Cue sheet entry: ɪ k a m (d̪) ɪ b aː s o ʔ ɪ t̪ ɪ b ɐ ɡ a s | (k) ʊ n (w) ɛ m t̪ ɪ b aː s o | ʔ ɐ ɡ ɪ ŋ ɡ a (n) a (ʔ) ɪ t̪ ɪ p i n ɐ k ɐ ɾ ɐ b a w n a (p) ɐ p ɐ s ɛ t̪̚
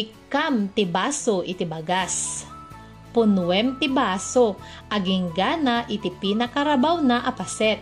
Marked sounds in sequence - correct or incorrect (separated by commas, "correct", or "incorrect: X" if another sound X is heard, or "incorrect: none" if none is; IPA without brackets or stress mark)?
incorrect: t̪, incorrect: p, correct, correct, correct, incorrect: ʔ